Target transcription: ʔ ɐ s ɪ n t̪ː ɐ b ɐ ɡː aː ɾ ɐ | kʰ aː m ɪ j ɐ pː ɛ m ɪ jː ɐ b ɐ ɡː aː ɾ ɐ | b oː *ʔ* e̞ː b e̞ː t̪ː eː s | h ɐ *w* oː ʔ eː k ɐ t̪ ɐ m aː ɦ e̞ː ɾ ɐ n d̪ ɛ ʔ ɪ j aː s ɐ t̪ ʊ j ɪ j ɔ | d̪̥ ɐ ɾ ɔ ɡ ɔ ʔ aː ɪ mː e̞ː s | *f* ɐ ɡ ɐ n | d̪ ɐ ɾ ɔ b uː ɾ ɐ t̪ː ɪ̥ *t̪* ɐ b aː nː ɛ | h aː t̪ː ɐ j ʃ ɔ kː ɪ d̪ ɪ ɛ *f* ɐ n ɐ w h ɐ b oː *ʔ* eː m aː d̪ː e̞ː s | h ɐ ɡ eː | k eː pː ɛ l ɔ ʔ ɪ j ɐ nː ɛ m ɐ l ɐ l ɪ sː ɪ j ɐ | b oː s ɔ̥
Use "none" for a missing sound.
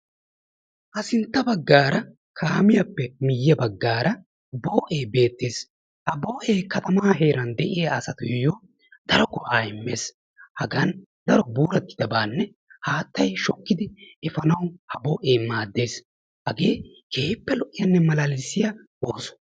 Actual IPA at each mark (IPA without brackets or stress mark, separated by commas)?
ʔ, b, h, d̪, f, ʔ